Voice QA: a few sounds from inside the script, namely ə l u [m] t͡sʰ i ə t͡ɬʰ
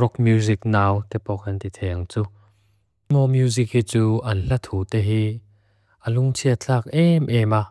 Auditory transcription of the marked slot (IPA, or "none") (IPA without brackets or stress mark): ŋ